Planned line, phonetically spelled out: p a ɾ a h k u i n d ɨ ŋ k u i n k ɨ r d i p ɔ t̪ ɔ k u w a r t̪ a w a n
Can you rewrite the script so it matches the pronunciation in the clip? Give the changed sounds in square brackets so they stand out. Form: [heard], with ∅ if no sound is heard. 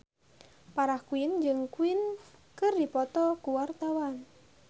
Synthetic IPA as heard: p a ɾ a h k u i n [d͡ʒ] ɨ ŋ k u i n k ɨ r d i p ɔ t̪ ɔ k u w a r t̪ a w a n